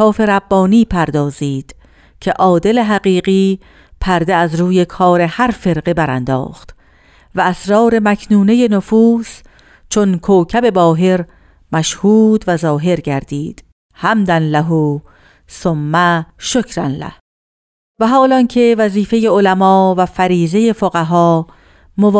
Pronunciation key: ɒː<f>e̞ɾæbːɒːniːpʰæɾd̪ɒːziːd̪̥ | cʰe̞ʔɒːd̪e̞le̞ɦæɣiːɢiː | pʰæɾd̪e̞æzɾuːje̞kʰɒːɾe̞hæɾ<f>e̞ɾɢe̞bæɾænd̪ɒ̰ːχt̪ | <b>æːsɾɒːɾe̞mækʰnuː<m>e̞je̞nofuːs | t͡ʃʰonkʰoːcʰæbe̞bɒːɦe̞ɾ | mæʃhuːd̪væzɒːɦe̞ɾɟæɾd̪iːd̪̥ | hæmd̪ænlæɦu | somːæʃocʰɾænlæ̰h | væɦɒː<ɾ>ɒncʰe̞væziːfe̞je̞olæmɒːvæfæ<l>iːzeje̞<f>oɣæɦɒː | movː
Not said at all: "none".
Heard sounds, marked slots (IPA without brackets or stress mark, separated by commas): f, f, v, n, l, ɾ, f